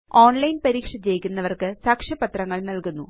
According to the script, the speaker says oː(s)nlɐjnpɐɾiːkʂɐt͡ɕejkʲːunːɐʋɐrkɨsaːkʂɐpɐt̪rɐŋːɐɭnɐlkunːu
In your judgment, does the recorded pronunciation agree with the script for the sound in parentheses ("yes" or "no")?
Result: no